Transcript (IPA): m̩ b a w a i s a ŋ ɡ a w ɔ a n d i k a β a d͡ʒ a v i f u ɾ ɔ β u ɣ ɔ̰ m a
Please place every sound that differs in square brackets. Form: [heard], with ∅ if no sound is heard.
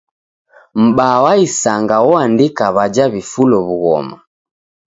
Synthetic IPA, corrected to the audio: m̩ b a w a i s a ŋ ɡ a w ɔ a n d i k a β a d͡ʒ a [β] i f u [l] ɔ β u ɣ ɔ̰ m a